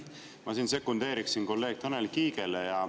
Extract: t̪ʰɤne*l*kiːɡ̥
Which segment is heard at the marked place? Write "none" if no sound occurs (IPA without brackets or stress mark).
l